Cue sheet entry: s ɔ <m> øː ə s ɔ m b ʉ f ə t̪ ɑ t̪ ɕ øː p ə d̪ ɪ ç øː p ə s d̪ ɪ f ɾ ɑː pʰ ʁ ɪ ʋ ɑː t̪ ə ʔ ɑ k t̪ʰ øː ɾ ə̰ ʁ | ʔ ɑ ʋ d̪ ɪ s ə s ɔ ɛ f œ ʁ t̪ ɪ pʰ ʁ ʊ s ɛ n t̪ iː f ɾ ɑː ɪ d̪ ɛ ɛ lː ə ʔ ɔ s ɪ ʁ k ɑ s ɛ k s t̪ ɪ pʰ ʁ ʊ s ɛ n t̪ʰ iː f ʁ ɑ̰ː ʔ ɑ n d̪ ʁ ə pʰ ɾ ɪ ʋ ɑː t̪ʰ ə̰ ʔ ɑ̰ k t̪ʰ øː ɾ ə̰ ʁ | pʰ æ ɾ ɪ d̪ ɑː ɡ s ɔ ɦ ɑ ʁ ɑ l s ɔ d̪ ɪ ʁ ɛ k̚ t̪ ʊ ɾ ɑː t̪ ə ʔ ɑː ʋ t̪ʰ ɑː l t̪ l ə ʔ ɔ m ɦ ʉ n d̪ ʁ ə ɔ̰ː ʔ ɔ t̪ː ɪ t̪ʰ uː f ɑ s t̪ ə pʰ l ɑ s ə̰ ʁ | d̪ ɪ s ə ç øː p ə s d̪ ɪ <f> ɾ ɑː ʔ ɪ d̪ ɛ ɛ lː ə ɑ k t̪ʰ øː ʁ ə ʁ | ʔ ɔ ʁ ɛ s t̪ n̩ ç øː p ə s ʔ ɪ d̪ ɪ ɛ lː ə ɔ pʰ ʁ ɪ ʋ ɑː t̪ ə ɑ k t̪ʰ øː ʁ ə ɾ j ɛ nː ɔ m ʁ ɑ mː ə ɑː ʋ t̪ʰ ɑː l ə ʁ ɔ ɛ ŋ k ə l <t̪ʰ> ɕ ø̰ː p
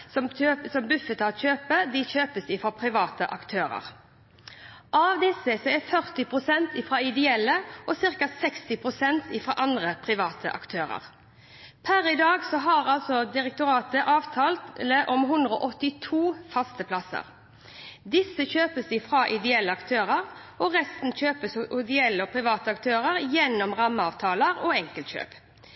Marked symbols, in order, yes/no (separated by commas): yes, yes, no